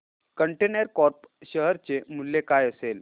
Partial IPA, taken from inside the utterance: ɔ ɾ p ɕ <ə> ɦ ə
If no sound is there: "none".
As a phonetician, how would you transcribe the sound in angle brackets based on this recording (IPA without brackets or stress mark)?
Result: ə